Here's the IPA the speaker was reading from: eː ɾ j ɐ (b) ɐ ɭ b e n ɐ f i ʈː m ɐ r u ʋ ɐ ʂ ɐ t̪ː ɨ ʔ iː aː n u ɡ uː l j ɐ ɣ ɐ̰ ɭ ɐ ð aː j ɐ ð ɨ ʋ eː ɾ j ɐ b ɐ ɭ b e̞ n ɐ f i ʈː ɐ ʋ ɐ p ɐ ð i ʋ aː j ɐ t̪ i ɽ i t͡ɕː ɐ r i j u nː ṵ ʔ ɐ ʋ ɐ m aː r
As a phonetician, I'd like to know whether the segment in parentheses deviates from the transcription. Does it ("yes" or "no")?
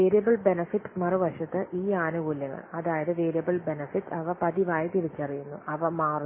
no